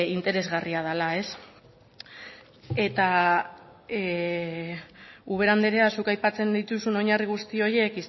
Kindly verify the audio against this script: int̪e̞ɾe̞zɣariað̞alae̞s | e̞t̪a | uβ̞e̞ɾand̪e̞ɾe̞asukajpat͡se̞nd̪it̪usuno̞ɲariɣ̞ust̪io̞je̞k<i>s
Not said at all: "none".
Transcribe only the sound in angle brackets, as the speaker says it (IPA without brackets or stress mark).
i